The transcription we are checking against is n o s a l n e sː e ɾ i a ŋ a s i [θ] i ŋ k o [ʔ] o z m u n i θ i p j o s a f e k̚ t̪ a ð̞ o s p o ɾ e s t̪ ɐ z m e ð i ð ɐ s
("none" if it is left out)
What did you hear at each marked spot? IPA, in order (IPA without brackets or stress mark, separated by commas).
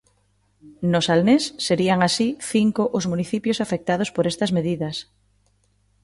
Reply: θ, ʔ